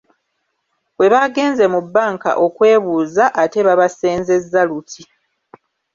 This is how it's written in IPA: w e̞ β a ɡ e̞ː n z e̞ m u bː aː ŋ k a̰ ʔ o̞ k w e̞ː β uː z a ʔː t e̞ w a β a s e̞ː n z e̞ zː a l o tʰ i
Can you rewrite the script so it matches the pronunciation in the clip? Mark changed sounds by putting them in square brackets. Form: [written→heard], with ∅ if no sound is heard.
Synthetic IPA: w e̞ β a ɡ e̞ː n z e̞ m u bː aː ŋ k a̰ ʔ o̞ k w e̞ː β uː z a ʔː t e̞ [w→β] a β a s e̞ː n z e̞ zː a l [o→u] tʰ i

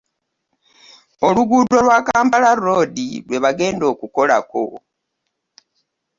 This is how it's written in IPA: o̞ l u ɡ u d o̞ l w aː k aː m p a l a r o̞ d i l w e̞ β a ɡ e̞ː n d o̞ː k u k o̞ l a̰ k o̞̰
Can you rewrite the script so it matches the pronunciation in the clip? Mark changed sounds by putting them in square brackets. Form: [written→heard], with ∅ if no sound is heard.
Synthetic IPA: o̞ l u ɡ u d o̞ l w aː k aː m p a l a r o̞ d i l w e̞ β a ɡ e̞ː n d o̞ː k u k o̞ l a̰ k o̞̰

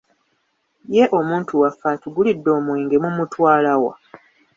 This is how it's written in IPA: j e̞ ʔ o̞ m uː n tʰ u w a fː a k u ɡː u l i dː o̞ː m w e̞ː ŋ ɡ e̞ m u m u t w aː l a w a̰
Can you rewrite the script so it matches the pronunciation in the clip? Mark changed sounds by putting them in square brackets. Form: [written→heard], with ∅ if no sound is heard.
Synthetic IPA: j e̞ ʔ o̞ m uː n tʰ u w a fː a [k→t] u [ɡː→ɡ] u l i dː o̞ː m w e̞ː ŋ ɡ e̞ m u m u t w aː l a w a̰

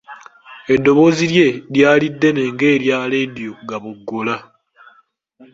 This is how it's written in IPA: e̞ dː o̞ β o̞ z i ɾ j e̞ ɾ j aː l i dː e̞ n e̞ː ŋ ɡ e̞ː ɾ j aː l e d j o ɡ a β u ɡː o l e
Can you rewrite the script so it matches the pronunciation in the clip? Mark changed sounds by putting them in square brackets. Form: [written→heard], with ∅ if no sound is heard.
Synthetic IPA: e̞ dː o̞ β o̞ z i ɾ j e̞ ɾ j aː l i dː e̞ n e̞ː ŋ ɡ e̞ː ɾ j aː l e d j o ɡ a β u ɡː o l [e→a]

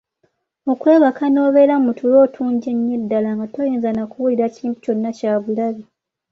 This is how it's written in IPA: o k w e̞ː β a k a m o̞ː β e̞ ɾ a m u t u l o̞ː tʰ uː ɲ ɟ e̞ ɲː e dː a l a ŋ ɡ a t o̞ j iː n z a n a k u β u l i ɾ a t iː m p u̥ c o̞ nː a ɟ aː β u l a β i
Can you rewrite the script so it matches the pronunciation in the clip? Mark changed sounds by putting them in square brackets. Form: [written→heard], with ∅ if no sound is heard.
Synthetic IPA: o k w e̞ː β a k a [m→n] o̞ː β e̞ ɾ a m u t u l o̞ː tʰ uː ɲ ɟ e̞ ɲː e dː a l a ŋ ɡ a t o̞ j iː n z a n a k u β u l i ɾ a [t→c] iː m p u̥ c o̞ nː a [ɟ→c] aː β u l a β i

